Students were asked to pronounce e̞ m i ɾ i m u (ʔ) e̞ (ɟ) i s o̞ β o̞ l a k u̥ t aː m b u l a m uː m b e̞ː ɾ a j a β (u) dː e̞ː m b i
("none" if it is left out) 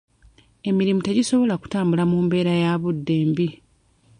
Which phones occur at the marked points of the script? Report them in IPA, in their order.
t, ɟ, u

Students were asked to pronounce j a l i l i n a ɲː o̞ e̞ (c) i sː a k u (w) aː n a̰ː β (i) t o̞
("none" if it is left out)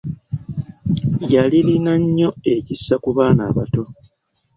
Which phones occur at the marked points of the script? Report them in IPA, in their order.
c, β, a

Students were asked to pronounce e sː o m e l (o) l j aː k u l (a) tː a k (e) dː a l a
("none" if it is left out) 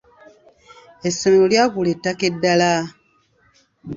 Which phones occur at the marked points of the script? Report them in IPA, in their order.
o, e, e

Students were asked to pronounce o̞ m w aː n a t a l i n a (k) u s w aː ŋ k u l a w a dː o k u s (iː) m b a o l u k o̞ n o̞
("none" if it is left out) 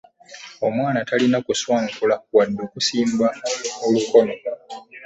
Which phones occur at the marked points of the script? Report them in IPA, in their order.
k, iː

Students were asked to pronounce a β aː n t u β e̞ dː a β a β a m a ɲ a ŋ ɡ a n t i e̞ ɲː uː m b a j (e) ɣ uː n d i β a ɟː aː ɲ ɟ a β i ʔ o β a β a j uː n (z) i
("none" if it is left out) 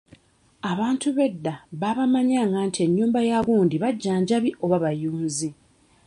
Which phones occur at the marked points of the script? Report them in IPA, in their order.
a, z

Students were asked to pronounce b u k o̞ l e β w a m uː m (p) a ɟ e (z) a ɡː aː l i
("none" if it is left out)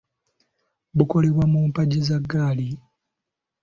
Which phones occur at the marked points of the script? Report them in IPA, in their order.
p, z

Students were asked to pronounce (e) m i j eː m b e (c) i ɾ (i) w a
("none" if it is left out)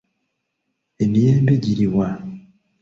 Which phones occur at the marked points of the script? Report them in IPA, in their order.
e, ɟ, i

